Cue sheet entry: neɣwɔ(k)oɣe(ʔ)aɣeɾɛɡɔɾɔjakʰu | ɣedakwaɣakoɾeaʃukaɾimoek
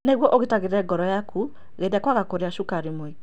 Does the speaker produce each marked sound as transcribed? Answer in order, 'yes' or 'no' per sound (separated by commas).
no, no